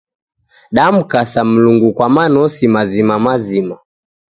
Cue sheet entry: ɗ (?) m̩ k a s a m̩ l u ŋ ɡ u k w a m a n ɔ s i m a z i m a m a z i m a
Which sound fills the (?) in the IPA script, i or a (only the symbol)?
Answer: a